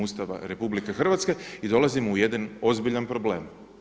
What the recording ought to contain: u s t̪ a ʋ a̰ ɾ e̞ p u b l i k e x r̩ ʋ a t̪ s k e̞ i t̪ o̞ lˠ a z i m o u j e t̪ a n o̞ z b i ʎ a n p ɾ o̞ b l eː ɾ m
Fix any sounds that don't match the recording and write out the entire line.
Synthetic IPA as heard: u s t̪ a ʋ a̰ ɾ e̞ p u b l i k e x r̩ ʋ a t̪ s k e̞ i d̪ o̞ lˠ a z i m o u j e d̪ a n o̞ z b i ʎ a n p ɾ o̞ b l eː m